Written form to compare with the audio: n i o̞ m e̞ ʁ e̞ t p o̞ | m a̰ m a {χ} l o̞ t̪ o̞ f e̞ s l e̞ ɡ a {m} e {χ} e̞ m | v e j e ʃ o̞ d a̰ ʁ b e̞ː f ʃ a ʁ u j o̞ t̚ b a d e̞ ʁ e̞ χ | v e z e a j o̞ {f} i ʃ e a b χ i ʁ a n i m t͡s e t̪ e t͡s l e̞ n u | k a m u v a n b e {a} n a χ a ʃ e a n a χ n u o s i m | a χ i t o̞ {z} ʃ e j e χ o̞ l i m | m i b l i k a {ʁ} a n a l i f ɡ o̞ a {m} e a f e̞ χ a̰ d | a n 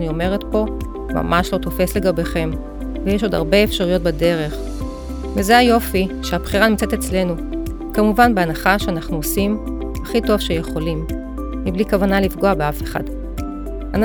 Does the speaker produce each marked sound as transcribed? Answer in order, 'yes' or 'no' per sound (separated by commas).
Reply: no, no, yes, yes, yes, no, no, no